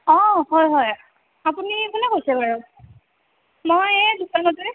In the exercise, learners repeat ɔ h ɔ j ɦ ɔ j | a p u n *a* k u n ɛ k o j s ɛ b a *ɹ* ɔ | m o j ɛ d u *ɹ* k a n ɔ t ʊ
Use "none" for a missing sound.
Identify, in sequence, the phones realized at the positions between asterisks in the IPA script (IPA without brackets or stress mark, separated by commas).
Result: i, ɹ, none